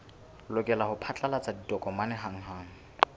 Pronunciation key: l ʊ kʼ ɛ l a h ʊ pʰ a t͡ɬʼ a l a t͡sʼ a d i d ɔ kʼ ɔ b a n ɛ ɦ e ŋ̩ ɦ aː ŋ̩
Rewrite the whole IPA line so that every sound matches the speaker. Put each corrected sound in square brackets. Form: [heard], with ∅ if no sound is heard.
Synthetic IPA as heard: l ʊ kʼ ɛ l a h ʊ pʰ a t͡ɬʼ a l a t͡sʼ a d i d ɔ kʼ ɔ [m] a n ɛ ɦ [a] ŋ̩ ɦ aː ŋ̩